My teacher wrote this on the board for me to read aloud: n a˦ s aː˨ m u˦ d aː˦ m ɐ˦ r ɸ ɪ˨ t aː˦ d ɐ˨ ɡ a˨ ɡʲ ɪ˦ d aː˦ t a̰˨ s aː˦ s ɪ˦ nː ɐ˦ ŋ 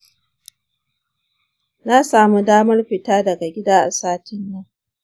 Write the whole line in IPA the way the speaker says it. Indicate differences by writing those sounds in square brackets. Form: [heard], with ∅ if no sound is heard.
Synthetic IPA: n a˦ s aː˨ m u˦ d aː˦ m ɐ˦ r ɸ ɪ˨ t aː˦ d ɐ˨ ɡ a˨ ɡʲ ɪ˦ d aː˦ [ʔ] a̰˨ s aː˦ [t] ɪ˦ nː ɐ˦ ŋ